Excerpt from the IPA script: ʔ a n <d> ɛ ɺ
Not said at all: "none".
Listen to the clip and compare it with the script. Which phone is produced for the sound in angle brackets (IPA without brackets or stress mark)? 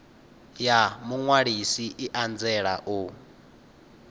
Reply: d͡z